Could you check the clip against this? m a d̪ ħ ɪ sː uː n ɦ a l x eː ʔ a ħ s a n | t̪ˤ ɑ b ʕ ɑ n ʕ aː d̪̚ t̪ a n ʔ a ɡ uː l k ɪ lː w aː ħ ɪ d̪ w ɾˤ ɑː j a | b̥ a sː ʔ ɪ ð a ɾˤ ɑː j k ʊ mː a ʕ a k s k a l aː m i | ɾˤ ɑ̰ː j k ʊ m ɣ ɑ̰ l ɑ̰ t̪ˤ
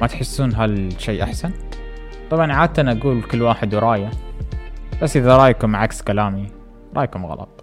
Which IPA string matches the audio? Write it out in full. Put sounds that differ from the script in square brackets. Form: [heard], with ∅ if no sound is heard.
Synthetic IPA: m a [t̪] ħ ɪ sː uː n ɦ a l [ʃ] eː ʔ a ħ s a n | t̪ˤ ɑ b ʕ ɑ n ʕ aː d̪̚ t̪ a n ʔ a ɡ uː l k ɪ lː w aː ħ ɪ d̪ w ɾˤ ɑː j a | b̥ a sː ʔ ɪ ð a ɾˤ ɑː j k ʊ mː a ʕ a k s k a l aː m i | ɾˤ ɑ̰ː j k ʊ m ɣ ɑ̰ l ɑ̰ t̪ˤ